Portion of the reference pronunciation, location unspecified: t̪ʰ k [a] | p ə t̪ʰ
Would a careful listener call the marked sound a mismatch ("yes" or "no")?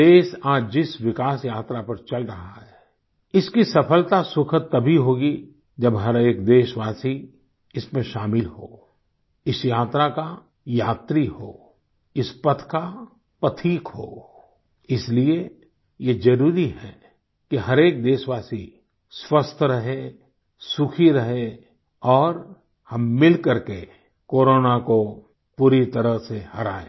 no